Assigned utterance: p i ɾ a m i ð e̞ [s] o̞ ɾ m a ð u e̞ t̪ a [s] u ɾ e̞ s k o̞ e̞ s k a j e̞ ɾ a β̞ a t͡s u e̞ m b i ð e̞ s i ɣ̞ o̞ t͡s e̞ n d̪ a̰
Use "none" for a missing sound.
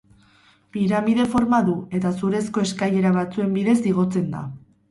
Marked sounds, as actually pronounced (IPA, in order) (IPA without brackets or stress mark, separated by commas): f, s